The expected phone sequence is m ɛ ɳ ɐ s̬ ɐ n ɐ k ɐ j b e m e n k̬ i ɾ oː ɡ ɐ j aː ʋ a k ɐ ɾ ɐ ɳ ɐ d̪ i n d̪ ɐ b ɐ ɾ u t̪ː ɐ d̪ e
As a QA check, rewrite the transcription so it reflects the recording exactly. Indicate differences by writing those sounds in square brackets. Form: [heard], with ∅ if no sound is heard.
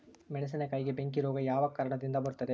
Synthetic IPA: m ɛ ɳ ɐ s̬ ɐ n ɐ k ɐ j [ɡ] e [b] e [ŋ] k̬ i ɾ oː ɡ ɐ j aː ʋ [ɐ] k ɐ ɾ ɐ ɳ ɐ d̪ i n d̪ ɐ b ɐ ɾ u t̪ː ɐ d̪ e